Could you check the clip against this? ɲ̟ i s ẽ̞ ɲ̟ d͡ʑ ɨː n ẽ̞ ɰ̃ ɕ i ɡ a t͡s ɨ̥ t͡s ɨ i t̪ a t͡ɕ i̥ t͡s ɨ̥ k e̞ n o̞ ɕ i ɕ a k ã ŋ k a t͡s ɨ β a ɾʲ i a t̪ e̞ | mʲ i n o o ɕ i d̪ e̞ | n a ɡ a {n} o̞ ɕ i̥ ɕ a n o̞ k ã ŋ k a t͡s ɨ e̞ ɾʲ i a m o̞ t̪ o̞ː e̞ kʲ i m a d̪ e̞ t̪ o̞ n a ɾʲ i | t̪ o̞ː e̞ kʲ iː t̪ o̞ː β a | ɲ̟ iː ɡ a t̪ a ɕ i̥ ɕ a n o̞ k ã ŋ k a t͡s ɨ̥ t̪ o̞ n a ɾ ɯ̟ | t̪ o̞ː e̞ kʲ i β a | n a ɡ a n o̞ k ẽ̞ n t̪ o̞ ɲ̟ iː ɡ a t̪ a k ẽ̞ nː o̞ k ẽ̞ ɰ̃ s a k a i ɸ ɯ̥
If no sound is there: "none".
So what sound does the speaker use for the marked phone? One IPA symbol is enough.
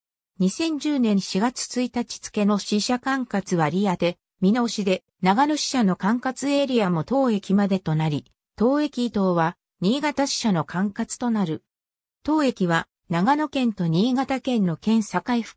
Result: n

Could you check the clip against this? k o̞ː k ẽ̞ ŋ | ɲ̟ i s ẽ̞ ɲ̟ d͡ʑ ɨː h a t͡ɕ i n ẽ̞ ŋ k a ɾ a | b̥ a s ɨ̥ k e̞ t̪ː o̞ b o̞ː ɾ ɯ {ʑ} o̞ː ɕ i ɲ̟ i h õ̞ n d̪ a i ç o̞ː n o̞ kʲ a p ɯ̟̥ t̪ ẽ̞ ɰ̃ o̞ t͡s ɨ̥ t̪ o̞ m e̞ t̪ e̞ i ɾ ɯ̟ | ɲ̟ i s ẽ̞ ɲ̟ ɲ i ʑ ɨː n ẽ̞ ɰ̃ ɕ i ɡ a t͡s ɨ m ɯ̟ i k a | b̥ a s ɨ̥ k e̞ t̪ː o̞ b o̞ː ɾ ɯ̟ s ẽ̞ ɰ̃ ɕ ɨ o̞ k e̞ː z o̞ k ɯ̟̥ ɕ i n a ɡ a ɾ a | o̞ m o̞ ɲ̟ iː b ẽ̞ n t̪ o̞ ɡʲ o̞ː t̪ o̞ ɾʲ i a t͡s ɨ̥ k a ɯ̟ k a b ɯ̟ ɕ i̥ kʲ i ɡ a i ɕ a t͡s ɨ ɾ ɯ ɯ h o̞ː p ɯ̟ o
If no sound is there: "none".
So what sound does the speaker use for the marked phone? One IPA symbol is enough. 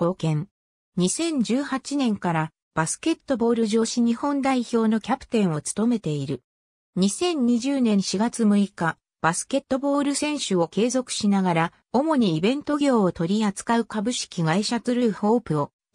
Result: ʑ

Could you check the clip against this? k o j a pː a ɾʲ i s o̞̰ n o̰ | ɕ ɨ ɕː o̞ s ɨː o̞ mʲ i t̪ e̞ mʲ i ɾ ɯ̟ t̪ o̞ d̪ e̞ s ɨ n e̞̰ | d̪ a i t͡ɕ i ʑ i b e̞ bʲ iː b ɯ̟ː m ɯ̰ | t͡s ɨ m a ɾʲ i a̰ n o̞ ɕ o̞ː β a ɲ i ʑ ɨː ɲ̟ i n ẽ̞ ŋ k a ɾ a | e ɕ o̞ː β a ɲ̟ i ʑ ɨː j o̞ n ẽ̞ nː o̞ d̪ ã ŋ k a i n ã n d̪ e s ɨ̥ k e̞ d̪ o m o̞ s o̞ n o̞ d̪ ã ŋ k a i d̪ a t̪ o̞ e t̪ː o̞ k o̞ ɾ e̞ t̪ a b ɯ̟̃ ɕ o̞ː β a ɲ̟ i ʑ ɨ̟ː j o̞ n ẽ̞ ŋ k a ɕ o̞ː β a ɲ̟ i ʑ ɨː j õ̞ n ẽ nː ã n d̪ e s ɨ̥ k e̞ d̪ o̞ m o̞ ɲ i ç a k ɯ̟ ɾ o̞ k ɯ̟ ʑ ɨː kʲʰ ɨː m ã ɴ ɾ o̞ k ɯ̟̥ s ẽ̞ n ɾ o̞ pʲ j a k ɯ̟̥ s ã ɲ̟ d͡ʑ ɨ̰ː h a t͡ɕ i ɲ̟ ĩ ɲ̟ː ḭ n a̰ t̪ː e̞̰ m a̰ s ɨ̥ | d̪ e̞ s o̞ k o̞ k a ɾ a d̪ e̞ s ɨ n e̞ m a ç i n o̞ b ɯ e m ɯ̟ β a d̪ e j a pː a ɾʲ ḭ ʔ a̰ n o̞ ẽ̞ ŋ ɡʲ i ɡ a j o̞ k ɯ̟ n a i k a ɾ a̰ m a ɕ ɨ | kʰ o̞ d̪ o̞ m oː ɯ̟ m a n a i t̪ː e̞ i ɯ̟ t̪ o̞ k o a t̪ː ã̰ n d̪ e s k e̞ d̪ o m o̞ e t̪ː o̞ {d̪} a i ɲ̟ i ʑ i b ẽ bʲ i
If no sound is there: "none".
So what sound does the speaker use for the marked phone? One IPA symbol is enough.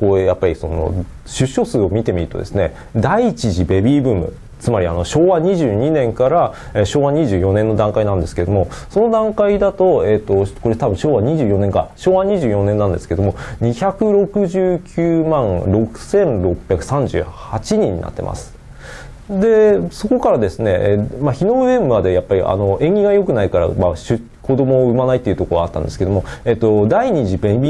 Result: d̪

